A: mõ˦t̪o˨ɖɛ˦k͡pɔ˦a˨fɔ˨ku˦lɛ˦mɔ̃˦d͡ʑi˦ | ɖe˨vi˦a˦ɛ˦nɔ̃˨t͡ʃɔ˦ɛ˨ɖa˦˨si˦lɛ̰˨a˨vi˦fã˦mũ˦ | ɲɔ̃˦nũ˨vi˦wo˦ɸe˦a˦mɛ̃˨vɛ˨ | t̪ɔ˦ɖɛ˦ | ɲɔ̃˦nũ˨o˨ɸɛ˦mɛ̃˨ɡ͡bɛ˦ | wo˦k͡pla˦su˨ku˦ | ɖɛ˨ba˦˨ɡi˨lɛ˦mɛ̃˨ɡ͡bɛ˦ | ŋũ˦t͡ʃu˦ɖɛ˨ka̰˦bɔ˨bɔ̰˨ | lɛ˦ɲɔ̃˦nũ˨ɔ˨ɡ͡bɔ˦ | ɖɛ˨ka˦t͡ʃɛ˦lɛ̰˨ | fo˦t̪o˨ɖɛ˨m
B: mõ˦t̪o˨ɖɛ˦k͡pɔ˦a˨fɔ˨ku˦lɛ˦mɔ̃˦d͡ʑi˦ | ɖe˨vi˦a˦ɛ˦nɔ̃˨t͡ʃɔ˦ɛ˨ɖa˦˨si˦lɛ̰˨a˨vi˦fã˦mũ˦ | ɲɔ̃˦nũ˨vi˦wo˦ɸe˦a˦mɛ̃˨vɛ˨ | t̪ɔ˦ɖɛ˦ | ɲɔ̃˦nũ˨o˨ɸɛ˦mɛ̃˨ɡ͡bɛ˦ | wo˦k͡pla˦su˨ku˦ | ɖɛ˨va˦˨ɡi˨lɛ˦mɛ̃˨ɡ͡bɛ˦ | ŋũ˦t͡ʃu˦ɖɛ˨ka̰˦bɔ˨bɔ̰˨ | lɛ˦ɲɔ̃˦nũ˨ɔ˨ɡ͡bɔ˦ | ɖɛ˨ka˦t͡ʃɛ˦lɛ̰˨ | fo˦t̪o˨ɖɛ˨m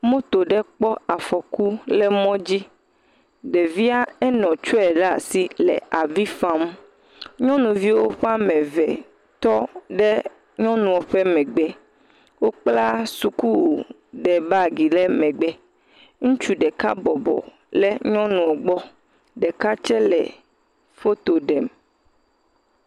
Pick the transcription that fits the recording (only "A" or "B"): A